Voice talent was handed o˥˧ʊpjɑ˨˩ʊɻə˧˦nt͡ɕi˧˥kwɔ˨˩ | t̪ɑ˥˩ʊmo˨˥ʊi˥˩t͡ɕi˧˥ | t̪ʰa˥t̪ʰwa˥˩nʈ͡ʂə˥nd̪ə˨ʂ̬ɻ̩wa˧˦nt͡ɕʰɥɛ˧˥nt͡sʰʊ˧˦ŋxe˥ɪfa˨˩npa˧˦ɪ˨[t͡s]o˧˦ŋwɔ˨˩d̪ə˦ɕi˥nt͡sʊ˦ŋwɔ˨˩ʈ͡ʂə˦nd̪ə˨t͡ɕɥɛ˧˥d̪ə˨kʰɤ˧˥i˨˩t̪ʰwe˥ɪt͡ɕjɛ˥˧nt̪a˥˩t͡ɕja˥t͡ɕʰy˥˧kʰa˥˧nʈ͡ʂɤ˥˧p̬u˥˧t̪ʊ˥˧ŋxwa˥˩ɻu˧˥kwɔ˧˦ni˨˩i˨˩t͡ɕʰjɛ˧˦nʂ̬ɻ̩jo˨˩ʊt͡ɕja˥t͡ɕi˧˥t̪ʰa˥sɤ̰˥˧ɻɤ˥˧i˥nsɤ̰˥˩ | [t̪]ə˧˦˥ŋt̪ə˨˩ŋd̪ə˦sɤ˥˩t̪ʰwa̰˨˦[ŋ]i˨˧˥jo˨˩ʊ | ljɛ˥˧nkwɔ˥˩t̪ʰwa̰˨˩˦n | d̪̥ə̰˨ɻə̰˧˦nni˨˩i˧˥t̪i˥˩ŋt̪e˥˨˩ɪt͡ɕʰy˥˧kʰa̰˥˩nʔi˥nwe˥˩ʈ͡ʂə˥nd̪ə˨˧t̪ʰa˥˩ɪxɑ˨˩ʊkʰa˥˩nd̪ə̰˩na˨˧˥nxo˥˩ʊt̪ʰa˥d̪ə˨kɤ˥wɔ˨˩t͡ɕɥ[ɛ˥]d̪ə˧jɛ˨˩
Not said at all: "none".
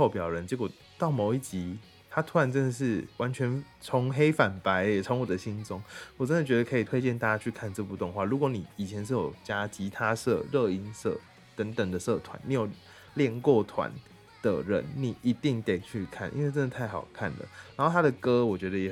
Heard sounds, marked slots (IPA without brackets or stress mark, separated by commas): t͡sʰ, t̪, n, ɛ˧˥